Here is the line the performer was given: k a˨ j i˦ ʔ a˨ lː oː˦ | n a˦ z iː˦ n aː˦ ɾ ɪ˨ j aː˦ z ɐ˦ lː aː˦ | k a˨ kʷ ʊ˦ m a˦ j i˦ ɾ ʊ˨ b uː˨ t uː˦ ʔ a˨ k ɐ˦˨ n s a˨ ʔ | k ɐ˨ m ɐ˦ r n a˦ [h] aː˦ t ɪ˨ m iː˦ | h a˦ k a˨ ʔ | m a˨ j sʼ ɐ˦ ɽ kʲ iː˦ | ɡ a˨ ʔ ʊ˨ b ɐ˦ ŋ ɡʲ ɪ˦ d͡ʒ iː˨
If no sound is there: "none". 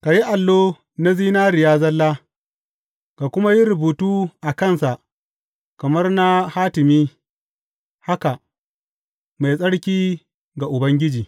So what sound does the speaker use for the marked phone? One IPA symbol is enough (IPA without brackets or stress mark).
h